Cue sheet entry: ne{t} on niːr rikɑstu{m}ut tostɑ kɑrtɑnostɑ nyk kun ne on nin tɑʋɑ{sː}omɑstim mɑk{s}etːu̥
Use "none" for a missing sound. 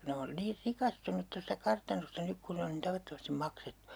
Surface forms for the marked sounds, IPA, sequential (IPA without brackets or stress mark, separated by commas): none, n, tː, s